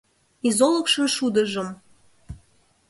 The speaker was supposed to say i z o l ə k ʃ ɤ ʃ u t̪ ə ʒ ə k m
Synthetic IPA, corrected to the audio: i z o l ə k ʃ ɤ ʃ u d̪ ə ʒ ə m